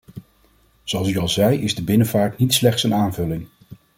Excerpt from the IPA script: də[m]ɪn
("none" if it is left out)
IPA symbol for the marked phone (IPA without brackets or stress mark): b